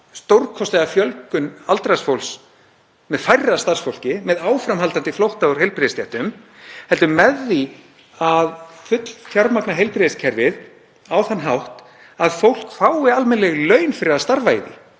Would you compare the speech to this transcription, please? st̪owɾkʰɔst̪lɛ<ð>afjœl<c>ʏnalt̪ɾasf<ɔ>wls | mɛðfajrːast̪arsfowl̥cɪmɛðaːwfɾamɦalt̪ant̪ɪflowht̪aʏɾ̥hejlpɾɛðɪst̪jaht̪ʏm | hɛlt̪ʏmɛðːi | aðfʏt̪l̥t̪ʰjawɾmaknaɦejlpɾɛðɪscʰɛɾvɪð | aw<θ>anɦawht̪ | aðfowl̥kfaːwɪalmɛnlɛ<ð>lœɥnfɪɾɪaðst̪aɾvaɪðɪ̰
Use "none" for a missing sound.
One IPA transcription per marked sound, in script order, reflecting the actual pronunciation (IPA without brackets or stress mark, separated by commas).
ɣ, k, o, θ, ɣ